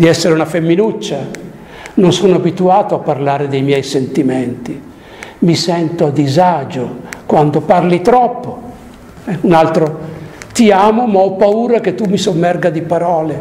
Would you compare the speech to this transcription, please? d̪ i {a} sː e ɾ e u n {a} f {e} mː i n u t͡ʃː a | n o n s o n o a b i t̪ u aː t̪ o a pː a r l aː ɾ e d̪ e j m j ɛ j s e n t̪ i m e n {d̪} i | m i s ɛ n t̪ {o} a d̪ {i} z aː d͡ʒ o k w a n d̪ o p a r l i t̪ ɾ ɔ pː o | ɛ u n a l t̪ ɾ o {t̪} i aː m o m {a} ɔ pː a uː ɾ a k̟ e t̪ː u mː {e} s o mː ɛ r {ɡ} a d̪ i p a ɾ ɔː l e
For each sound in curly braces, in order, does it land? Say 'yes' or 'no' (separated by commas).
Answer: no, yes, yes, no, yes, yes, yes, yes, no, yes